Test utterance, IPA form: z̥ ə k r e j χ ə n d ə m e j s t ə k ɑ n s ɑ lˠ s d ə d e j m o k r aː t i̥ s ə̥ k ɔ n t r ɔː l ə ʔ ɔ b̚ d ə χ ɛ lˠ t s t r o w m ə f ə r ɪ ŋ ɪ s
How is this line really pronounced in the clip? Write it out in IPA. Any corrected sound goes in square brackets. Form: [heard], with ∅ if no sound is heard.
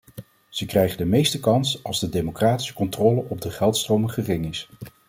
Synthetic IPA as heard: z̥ ə k r [ɛ] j χ ə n d ə m e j s t ə k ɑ n s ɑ lˠ [z] d ə d e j m o k r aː t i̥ s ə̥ k ɔ n t r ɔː l ə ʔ ɔ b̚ d ə χ ɛ lˠ t s t r o w m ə [χ] ə r ɪ ŋ ɪ s